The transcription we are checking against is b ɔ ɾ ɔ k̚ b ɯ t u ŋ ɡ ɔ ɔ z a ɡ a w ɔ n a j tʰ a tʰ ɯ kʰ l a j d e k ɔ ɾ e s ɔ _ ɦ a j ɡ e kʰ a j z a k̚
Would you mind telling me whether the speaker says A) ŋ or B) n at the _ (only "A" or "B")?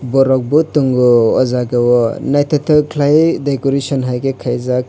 B